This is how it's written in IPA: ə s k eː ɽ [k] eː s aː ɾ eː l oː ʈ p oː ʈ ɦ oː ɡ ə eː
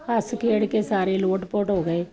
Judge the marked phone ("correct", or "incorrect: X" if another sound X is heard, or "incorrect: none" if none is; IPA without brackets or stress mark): correct